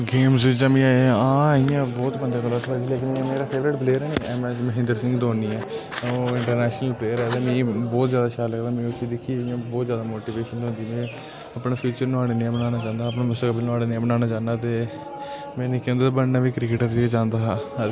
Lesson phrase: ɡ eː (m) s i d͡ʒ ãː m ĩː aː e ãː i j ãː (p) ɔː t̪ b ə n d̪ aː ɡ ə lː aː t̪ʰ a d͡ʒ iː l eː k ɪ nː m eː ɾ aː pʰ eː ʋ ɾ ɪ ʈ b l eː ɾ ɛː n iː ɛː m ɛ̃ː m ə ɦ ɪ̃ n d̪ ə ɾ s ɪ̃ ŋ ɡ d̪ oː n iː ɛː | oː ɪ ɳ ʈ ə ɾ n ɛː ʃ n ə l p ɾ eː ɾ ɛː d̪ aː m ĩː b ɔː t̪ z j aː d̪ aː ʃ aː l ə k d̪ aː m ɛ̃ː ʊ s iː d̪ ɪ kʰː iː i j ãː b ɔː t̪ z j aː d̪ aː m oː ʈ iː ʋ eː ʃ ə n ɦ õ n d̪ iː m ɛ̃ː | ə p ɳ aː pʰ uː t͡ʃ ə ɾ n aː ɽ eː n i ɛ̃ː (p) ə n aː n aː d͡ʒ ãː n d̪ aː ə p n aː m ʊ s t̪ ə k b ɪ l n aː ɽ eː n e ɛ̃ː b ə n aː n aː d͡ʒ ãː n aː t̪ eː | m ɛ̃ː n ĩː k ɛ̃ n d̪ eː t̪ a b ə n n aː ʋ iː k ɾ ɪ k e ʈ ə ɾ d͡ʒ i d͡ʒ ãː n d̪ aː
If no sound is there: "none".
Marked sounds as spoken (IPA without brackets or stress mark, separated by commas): m, b, b